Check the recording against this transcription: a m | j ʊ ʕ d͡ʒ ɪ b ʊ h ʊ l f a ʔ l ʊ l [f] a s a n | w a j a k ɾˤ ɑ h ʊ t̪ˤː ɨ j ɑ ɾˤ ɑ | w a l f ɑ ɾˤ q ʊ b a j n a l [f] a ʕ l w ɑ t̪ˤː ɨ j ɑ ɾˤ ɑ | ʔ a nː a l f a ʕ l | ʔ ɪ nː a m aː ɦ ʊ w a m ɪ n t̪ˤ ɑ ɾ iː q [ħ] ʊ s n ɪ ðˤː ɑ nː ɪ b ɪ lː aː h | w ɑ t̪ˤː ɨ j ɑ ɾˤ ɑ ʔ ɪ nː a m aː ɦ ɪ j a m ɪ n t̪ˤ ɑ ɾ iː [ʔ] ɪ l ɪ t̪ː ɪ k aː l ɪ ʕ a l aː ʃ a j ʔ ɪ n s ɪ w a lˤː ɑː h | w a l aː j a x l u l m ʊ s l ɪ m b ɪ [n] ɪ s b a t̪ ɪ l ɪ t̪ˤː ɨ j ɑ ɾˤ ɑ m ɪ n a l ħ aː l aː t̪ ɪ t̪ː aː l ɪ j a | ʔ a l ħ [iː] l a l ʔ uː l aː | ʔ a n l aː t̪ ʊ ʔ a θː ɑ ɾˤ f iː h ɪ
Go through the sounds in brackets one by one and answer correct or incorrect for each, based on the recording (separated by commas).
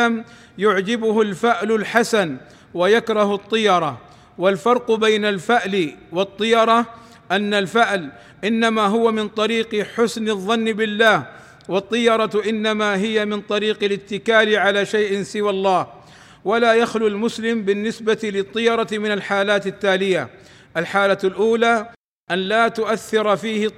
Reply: incorrect, correct, correct, incorrect, incorrect, incorrect